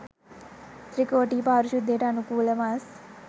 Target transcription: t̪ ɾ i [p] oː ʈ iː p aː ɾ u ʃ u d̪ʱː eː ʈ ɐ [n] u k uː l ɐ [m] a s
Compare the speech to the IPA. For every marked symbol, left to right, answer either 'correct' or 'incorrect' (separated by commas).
incorrect, correct, correct